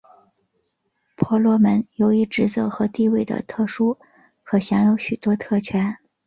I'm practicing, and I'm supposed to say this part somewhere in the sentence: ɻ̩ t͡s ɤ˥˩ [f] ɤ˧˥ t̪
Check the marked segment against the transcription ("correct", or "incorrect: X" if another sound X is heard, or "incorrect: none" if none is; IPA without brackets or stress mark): incorrect: x